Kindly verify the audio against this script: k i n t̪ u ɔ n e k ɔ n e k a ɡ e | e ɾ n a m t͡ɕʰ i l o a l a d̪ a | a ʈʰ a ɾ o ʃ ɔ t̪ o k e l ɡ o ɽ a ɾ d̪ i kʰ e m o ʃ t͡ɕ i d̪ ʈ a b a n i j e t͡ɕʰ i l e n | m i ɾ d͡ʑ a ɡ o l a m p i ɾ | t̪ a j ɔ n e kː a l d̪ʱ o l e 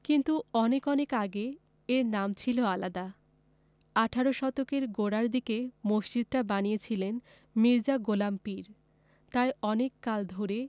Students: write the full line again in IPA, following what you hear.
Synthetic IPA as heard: k i n t̪ u ɔ n e k ɔ n e k a ɡ e | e ɾ n a m t͡ɕʰ i l o a l a d̪ a | a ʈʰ a ɾ o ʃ ɔ t̪ o k e ɾ ɡ o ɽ a ɾ d̪ i k e m o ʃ t͡ɕ i d̪ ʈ a b a n i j e t͡ɕʰ i l e n | m i ɾ d͡ʑ a ɡ o l a m p i ɾ | t̪ a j ɔ n e kː a l d̪ʱ o ɾ e

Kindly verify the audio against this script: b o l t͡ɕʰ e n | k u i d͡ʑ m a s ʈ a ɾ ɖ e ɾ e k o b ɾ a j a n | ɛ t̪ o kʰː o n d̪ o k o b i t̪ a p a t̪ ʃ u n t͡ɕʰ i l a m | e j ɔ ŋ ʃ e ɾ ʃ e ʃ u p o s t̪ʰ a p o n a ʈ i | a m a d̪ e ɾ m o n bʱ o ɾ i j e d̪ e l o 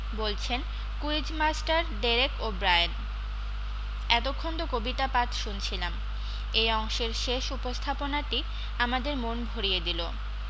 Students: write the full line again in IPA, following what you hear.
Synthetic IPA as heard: b o l t͡ɕʰ e n | k u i d͡ʑ m a s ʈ a ɾ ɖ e ɾ e k o b ɾ a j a n | ɛ t̪ o kʰː o n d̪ o k o b i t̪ a p a t̪ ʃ u n t͡ɕʰ i l a m | e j ɔ ŋ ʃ e ɾ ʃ e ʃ u p o s t̪ʰ a p o n a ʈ i | a m a d̪ e ɾ m o n bʱ o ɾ i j e d̪ i l o

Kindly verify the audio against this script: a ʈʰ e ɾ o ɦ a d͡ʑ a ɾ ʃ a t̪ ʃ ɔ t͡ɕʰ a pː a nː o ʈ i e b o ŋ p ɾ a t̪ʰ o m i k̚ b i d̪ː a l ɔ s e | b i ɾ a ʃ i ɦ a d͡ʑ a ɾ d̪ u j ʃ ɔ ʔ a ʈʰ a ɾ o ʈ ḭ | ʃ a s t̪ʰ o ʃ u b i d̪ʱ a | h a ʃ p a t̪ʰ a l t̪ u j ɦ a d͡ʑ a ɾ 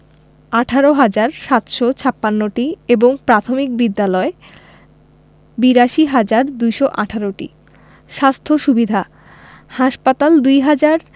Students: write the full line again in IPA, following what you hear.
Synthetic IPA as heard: a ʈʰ a ɾ o ɦ a d͡ʑ a ɾ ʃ a t̪ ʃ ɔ t͡ɕʰ a pː a nː o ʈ i e b o ŋ p ɾ a t̪ʰ o m i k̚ b i d̪ː a l ɔ e | b i ɾ a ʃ i ɦ a d͡ʑ a ɾ d̪ u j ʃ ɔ ʔ a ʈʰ a ɾ o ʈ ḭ | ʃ a s t̪ʰ o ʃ u b i d̪ʱ a | h a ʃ p a t̪ a l d̪ u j ɦ a d͡ʑ a ɾ

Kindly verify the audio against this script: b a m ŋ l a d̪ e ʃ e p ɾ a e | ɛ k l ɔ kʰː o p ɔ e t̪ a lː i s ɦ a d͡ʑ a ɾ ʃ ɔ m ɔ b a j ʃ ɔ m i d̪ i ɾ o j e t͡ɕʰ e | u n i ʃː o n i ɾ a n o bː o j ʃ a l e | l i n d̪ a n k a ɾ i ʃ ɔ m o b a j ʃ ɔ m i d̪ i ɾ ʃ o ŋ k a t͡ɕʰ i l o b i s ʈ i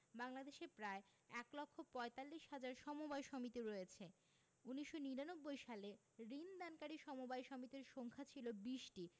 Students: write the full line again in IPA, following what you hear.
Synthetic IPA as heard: b a ŋ l a d̪ e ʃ e p ɾ a e | ɛ k l ɔ kʰː o p ɔ e t̪ a lː i ʃ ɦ a d͡ʑ a ɾ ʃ ɔ m o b a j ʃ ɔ m i t̪ i ɾ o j e t͡ɕʰ e | u n i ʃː o n i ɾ a n o bː o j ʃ a l e | ɾ i n d̪ a n k a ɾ i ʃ ɔ m o b a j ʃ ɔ m i t̪ i ɾ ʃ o ŋ kʰ a t͡ɕʰ i l o b i ʃ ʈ i

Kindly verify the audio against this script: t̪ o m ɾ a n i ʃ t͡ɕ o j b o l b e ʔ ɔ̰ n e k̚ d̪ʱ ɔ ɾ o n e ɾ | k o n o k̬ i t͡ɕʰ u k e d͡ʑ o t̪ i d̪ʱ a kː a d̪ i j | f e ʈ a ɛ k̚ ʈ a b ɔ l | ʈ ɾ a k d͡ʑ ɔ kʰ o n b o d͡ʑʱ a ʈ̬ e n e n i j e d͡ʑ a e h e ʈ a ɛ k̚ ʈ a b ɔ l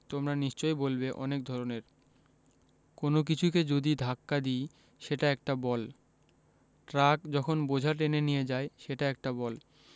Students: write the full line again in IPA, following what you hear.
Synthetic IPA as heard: t̪ o m ɾ a n i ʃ t͡ɕ o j b o l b e ʔ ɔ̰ n e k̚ d̪ʱ ɔ ɾ o n e ɾ | k o n o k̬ i t͡ɕʰ u k e d͡ʑ o d̪ i d̪ʱ a kː a d̪ i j | ʃ e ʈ a ɛ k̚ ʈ a b ɔ l | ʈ ɾ a k d͡ʑ ɔ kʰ o n b o d͡ʑʱ a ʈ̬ e n e n i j e d͡ʑ a e ʃ e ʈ a ɛ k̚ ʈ a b ɔ l

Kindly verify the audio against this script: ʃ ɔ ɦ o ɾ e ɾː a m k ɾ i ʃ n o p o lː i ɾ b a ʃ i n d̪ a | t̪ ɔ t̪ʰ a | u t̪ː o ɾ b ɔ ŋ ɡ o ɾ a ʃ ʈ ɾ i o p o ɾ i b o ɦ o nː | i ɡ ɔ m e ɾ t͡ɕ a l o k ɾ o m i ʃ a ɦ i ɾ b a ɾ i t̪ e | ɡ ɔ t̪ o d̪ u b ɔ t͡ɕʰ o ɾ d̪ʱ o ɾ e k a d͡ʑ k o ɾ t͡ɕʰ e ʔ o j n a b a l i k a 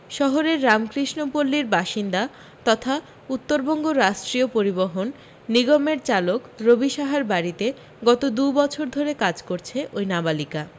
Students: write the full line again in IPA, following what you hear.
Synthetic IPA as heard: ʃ ɔ ɦ o ɾ e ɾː a m k ɾ i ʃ n o p o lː i ɾ b a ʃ i n d̪ a | t̪ ɔ t̪ʰ a | u t̪ː o ɾ b ɔ ŋ ɡ o ɾ a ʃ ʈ ɾ i o p o ɾ i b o ɦ o nː | i ɡ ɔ m e ɾ t͡ɕ a l o k ɾ o b i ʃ a ɦ a ɾ b a ɾ i t̪ e | ɡ ɔ t̪ o d̪ u b ɔ t͡ɕʰ o ɾ d̪ʱ o ɾ e k a d͡ʑ k o ɾ t͡ɕʰ e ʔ o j n a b a l i k a

